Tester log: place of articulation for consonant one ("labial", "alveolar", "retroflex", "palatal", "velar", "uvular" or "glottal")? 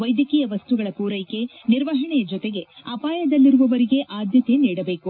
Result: labial